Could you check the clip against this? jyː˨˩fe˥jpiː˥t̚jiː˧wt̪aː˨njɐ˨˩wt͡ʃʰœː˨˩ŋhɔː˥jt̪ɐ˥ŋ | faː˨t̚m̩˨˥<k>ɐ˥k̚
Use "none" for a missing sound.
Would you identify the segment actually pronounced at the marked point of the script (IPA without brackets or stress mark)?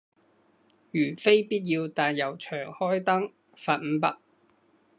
p